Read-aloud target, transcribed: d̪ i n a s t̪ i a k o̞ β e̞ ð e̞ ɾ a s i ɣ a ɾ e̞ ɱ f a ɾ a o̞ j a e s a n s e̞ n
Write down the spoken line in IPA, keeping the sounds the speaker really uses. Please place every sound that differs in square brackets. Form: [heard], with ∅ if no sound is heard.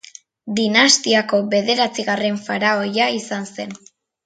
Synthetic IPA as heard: d̪ i n a s t̪ i a k o̞ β e̞ ð e̞ ɾ a [t͡s] i ɣ a [r] e̞ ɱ f a ɾ a o̞ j a [i] s a n s e̞ n